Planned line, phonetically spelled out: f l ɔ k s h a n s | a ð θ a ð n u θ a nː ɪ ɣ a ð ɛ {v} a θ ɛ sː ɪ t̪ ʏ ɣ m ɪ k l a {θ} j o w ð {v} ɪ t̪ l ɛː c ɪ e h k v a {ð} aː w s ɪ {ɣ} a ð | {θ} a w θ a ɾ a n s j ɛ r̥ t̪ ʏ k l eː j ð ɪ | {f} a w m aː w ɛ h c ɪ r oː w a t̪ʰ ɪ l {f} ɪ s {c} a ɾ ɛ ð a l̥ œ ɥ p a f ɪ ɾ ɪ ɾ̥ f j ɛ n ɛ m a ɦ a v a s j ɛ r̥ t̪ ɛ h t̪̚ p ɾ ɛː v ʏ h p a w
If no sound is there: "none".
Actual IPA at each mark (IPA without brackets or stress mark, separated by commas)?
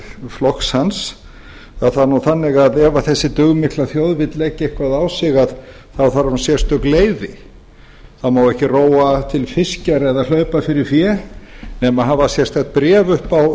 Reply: v, θ, v, ð, ɣ, θ, θ, f, c